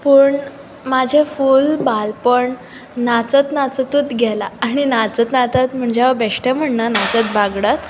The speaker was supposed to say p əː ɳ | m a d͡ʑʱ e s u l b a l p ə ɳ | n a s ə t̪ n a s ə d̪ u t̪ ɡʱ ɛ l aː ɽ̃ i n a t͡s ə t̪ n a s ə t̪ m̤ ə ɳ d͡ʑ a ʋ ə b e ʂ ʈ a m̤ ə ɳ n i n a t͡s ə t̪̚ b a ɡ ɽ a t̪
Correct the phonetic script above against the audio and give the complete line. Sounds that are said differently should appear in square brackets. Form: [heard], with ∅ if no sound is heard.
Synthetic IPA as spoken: p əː ɳ | m a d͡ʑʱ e [f] u l b a l p ə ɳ | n a [t͡s] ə t̪ n a [t͡s] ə [t̪] u t̪ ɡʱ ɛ l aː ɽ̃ i n a t͡s ə t̪ n a [t͡s] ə t̪ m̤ ə ɳ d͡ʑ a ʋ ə b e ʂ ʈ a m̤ ə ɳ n [a] n a t͡s ə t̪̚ b a ɡ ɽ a t̪